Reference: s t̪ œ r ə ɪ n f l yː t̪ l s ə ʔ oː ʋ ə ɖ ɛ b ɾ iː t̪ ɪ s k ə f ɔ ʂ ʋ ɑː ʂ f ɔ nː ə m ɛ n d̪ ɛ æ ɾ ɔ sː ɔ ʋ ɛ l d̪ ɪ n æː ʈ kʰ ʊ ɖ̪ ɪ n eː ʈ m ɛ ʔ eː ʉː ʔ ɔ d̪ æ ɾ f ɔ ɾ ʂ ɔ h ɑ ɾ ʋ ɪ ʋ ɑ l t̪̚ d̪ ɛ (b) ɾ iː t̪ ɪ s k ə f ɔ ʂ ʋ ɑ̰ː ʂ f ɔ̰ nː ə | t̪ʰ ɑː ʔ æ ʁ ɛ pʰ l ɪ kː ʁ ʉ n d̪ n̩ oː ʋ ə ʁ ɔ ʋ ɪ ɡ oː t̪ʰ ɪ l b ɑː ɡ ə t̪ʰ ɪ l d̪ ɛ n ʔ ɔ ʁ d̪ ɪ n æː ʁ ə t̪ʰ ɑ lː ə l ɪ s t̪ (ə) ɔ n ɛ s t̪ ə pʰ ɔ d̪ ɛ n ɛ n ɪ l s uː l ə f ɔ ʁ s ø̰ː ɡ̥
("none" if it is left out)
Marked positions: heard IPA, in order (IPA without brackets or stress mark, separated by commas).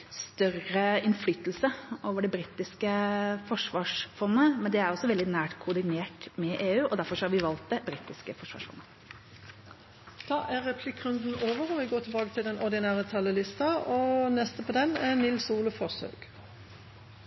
b, ɑ